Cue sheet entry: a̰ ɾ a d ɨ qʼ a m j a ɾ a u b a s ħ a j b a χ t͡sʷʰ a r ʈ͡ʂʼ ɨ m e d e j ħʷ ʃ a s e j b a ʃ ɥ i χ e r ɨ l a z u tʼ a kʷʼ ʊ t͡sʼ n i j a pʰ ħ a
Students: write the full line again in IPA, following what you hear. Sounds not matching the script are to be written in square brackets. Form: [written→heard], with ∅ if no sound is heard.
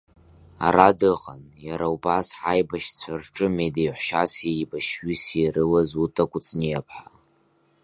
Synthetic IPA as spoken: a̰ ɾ a d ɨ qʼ a [m→n] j a ɾ a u b a s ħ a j b a [χ→ʃ] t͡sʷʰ a r ʈ͡ʂʼ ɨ m e d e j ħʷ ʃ a s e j b a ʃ ɥ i [χ→s] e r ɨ l a z u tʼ a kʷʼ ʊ t͡sʼ n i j a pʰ ħ a